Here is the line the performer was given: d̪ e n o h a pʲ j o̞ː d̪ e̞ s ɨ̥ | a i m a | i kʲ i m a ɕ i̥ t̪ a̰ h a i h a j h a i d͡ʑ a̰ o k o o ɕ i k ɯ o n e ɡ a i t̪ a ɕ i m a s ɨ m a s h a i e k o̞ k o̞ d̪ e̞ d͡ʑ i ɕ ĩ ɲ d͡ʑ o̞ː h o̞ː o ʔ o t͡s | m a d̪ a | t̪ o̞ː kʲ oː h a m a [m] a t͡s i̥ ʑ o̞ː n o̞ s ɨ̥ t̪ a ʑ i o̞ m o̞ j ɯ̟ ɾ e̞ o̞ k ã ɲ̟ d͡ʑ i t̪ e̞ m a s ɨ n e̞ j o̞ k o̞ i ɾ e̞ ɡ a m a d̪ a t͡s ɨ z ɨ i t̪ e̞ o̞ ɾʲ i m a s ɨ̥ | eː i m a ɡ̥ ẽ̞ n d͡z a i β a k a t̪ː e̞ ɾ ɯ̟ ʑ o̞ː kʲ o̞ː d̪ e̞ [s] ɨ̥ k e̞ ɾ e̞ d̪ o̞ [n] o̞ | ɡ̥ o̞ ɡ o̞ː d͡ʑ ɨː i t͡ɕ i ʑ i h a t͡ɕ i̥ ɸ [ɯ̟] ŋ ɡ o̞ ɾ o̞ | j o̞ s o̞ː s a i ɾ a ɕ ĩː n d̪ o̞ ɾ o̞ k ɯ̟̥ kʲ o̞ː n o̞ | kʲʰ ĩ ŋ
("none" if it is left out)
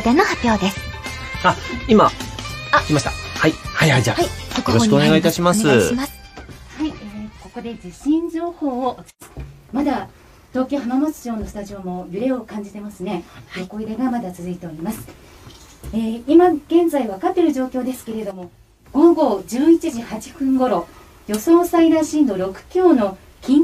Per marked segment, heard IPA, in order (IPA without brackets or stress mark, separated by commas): m, s, m, ɯ̟̃